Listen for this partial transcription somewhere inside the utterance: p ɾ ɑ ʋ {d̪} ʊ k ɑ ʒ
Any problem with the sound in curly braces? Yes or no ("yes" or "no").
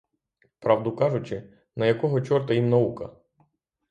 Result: no